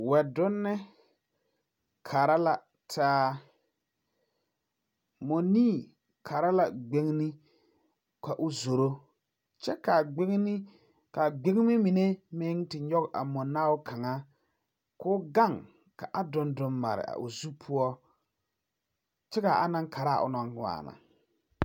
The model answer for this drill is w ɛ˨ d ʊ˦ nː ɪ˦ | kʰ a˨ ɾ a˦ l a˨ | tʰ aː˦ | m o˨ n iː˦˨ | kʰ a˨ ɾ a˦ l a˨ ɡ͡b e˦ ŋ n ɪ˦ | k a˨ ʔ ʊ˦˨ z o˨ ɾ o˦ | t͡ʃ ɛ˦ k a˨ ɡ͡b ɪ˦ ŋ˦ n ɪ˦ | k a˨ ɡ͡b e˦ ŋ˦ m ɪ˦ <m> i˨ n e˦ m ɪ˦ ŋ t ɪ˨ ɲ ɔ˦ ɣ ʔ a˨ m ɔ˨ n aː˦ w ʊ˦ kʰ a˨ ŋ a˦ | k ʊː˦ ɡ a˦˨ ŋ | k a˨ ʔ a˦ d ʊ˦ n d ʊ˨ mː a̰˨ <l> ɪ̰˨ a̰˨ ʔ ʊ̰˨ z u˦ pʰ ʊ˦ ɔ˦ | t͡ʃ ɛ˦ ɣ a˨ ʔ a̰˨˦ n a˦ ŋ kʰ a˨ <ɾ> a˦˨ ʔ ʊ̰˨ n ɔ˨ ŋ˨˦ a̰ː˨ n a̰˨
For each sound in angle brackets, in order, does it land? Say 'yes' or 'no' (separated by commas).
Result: yes, no, yes